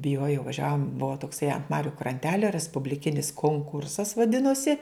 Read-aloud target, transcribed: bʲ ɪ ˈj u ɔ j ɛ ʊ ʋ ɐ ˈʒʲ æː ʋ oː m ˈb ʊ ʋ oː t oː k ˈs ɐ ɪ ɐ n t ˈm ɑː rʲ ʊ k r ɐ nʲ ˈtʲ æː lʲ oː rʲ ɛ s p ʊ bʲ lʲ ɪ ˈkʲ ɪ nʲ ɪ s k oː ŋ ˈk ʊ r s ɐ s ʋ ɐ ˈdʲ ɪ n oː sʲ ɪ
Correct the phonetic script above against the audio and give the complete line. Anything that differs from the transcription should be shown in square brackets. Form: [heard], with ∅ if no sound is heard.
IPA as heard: bʲ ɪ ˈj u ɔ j ɛ ʊ ʋ ɐ ˈʒʲ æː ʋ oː m ˈb ʊ ʋ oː t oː k ˈs ɐ ɪ ɐ n t ˈm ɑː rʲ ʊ k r ɐ nʲ ˈtʲ æː lʲ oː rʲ ɛ s p ʊ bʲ lʲ ɪ ˈkʲ ɪ nʲ ɪ s k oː ŋ ˈk ʊ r s ɐ s ʋ ɐ ˈdʲ ɪ n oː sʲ ɪ

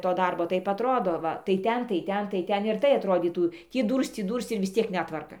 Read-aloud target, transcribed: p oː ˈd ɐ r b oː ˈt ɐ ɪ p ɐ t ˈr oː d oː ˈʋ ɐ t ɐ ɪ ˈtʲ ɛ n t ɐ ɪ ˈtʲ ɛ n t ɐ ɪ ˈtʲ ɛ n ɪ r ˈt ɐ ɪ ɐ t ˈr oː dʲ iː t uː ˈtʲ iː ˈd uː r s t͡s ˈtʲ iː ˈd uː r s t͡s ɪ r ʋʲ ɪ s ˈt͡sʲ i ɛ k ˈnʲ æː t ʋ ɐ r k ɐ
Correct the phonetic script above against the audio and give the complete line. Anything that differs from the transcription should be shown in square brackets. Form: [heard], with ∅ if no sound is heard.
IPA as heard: [t] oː ˈd ɐ r b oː ˈt ɐ ɪ p ɐ t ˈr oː d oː ˈʋ ɐ t ɐ ɪ ˈtʲ ɛ n t ɐ ɪ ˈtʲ ɛ n t ɐ ɪ ˈtʲ ɛ n ɪ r ˈt ɐ ɪ ɐ t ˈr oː dʲ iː t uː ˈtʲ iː ˈd uː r s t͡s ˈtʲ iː ˈd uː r s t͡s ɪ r ʋʲ ɪ s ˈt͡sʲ i ɛ k ˈnʲ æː t ʋ ɐ r k ɐ

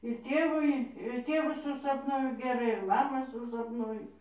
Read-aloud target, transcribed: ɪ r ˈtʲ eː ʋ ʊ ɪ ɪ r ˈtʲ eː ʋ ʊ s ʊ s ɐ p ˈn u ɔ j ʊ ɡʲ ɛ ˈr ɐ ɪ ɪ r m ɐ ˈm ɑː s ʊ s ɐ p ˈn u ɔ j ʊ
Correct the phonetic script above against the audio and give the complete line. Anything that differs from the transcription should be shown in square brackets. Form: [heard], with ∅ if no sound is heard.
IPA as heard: ɪ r ˈtʲ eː ʋ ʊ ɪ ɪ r ˈtʲ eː ʋ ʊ s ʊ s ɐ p ˈn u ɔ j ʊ ɡʲ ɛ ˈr ɐ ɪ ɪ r m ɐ ˈm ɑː s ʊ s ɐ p ˈn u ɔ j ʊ

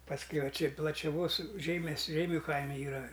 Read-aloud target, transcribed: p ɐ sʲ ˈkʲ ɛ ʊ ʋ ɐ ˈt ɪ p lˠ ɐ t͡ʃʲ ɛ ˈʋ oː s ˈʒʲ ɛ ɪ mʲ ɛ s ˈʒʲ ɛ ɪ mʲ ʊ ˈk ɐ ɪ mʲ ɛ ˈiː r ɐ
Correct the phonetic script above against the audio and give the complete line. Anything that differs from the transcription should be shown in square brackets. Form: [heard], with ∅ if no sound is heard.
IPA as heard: p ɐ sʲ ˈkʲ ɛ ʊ ʋ ɐ [ˈt͡ʃʲ] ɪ p lˠ ɐ t͡ʃʲ ɛ ˈʋ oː s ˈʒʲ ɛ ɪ mʲ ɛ s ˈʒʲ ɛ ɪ mʲ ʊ ˈk ɐ ɪ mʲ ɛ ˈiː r ɐ

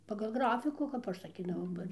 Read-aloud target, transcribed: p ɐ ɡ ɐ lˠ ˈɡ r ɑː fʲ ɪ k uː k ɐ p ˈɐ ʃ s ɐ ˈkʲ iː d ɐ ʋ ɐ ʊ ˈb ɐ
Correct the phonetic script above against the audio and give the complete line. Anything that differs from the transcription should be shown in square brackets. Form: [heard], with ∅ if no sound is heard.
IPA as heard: p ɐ ɡ ɐ lˠ ˈɡ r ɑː fʲ ɪ k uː k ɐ p ˈɐ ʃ s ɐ ˈkʲ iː d ɐ ʋ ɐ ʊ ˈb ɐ

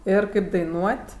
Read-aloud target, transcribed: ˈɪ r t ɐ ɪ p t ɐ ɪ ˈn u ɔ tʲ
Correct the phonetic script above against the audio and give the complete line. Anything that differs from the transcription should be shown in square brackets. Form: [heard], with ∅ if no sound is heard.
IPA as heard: ˈɪ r [k] ɐ ɪ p [d] ɐ ɪ ˈn u ɔ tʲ

